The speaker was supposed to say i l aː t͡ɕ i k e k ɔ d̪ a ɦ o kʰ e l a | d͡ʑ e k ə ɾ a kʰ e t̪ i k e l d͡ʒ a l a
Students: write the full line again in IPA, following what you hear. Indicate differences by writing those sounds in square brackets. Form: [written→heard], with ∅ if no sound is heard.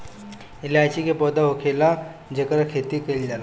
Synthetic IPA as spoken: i l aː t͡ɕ i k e [k→p] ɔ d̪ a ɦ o kʰ e l a | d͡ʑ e k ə ɾ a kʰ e t̪ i k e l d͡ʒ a l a